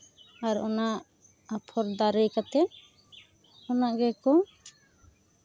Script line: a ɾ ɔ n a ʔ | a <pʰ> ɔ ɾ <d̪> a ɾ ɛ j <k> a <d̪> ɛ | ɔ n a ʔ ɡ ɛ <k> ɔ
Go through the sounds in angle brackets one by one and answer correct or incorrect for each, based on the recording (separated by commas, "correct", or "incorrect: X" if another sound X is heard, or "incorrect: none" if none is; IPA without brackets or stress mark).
correct, correct, correct, incorrect: t̪, correct